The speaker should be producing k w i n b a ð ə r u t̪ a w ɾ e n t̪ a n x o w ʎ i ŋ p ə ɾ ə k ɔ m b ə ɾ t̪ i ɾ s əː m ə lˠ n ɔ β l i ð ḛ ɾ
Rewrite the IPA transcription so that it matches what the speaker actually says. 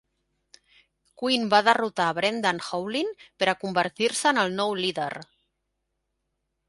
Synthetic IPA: k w i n b a ð ə r u t̪ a β ɾ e n d̪ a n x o w l i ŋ p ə ɾ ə k u m b ə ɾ t̪ i ɾ s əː n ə lˠ n ɔ w l i ð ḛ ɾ